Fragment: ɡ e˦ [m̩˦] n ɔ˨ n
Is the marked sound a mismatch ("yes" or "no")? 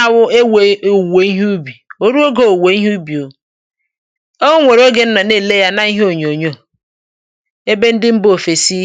yes